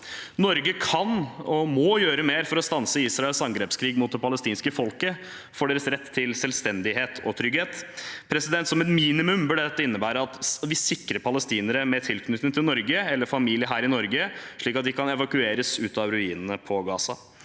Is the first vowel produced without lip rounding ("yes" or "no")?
no